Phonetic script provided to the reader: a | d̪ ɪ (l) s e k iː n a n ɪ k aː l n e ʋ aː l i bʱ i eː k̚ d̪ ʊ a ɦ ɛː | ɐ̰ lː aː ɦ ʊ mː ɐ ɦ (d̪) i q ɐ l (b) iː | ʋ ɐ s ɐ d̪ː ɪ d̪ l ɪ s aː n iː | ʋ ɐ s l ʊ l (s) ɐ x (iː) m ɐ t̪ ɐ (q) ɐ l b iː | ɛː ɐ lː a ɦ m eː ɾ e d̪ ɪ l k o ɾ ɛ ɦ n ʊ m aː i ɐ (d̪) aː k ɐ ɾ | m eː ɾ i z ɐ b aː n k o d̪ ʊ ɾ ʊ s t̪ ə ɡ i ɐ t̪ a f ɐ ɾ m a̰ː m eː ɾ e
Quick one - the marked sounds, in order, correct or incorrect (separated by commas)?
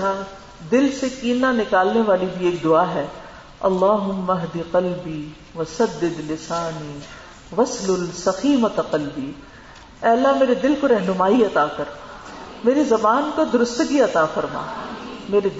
correct, correct, correct, correct, correct, correct, incorrect